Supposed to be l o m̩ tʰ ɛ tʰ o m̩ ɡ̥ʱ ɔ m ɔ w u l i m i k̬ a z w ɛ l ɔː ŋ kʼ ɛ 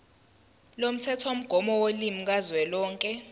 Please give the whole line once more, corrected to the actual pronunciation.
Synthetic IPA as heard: l o m̩ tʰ ɛ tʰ o m̩ ɡ̥ʱ ɔ m ɔ w o l i m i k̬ a z w ɛ l ɔː ŋ kʼ ɛ